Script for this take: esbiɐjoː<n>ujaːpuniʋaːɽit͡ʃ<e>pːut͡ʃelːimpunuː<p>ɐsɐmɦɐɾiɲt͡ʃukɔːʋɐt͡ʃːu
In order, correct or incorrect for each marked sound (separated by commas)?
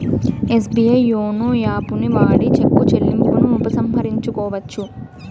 correct, correct, correct